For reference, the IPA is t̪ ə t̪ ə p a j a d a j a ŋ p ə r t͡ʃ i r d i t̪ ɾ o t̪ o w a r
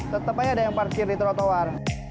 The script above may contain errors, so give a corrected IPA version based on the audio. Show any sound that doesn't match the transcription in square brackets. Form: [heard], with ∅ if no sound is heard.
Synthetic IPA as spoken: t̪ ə t̪ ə p a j a d a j a ŋ p [a] r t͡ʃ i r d i t̪ ɾ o t̪ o w a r